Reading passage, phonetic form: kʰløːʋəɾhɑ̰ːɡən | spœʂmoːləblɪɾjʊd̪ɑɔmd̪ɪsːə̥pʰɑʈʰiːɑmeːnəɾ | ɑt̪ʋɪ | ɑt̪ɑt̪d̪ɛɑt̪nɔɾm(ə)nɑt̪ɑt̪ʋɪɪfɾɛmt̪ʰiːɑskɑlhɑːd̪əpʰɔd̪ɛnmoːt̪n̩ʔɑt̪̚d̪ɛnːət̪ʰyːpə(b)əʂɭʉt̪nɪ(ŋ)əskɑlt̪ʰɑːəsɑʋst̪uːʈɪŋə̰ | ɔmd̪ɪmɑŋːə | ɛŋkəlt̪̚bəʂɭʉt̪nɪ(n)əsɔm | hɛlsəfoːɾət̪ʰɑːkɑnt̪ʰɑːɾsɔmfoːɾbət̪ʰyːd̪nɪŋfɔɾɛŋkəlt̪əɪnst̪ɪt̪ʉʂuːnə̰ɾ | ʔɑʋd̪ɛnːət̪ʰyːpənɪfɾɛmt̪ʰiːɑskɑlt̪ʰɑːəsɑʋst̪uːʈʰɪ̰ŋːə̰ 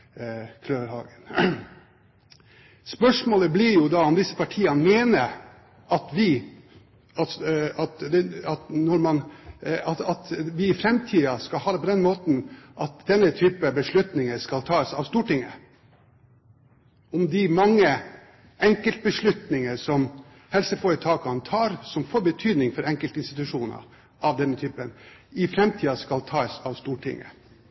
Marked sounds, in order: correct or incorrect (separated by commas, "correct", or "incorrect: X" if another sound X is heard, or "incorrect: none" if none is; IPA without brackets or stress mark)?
incorrect: ɑ, correct, correct, incorrect: ŋ